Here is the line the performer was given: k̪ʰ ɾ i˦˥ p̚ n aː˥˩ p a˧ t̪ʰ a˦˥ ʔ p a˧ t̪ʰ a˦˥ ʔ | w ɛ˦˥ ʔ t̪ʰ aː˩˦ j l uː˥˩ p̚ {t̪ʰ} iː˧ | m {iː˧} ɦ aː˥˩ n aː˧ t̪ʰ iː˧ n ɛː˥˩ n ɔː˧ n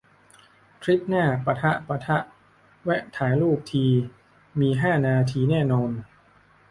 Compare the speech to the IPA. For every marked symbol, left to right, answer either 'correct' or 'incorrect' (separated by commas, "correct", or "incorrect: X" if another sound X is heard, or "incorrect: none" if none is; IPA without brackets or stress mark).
correct, correct